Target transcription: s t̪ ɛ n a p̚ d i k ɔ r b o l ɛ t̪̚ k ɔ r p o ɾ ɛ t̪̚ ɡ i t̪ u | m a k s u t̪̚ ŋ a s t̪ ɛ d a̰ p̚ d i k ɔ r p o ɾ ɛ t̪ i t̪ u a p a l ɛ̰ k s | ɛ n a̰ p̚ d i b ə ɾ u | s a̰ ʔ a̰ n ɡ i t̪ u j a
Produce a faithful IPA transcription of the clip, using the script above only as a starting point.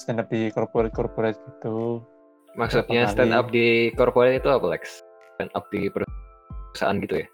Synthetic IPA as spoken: s t̪ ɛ n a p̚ d i k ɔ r p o ɾ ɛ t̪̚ k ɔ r p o ɾ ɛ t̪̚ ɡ i t̪ u | m a k s u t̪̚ ɲ a s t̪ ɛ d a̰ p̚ d i k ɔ r p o ɾ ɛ t̪ i t̪ u a p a l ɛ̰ k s | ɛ n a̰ p̚ d i p ə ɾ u | s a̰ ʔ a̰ n ɡ i t̪ u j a